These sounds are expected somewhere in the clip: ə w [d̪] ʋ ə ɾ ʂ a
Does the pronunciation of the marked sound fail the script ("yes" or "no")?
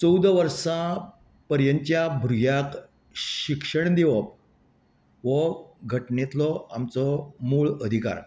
no